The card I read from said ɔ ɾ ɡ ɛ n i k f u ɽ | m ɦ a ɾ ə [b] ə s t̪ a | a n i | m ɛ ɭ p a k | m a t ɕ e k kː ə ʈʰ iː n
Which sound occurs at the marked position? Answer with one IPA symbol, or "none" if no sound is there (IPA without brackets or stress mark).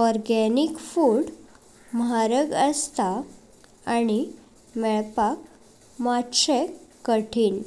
ɡ